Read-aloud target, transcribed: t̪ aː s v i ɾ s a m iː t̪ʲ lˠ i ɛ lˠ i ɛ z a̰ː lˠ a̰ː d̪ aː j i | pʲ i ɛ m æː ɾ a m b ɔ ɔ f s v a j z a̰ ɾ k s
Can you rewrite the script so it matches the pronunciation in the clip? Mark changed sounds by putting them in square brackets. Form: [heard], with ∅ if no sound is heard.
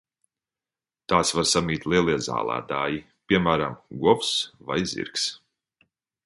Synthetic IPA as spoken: t̪ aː s v [a] ɾ s a m iː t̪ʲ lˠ i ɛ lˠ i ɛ z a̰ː lˠ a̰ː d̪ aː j i | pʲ i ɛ m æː ɾ a m [ɡ] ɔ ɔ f s v a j z [ḭ] ɾ k s